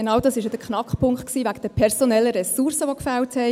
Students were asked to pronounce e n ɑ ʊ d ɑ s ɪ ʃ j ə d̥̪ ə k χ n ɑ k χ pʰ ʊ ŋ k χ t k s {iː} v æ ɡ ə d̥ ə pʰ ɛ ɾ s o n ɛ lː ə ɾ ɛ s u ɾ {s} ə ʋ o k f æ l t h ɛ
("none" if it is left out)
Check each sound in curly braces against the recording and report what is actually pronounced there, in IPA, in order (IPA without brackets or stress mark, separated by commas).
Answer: iː, s